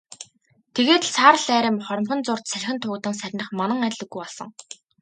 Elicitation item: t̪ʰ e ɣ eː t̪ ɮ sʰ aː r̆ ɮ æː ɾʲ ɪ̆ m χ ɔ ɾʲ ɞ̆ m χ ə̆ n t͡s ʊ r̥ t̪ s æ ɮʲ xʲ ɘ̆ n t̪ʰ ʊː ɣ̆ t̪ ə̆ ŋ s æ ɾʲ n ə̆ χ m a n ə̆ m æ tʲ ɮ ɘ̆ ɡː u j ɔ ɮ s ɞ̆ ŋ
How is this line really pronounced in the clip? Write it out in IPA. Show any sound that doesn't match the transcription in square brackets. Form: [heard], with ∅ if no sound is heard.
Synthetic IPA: t̪ʰ e ɣ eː t̪ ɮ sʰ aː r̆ ɮ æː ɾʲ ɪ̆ m χ ɔ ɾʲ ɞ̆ m χ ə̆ n t͡s ʊ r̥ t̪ s æ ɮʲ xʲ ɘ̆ n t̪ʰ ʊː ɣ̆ t̪ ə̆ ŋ s æ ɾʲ n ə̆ χ m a n ə̆ [ŋ] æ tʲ ɮ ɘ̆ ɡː u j ɔ ɮ s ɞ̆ ŋ